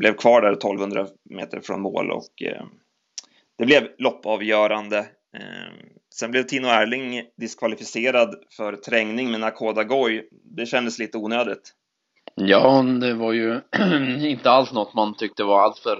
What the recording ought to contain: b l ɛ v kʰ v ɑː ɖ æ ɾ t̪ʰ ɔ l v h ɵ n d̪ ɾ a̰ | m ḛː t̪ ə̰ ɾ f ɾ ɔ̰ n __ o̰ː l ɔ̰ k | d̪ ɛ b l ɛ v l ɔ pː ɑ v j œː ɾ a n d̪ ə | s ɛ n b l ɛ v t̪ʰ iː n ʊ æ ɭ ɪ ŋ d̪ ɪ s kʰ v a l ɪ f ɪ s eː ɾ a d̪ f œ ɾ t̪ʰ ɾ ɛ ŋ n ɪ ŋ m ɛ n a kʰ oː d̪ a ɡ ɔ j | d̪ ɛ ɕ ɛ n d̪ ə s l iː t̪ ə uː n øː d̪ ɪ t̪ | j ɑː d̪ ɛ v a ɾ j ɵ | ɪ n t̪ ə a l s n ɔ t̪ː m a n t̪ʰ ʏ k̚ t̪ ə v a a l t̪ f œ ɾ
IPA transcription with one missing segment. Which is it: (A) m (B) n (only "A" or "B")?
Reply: A